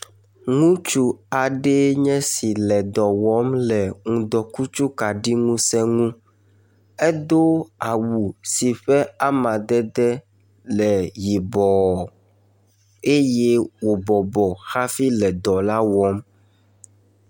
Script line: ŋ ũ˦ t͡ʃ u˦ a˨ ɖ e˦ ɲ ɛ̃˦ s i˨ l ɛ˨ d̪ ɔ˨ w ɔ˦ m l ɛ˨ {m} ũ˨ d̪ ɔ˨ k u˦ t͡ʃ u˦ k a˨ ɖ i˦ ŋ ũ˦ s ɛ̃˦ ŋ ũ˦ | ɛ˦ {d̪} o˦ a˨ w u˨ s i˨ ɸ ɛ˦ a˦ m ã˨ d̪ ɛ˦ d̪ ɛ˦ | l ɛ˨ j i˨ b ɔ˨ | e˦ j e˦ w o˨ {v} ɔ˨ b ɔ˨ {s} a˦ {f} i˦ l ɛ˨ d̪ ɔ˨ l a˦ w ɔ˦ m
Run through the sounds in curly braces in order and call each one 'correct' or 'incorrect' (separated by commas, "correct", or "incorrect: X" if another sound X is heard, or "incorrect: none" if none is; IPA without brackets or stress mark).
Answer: incorrect: ŋ, correct, incorrect: b, incorrect: x, correct